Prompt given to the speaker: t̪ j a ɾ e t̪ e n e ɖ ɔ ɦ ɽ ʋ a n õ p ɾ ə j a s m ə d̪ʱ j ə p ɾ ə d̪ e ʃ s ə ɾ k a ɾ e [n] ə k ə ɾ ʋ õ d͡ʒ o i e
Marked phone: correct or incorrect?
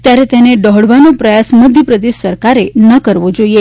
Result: correct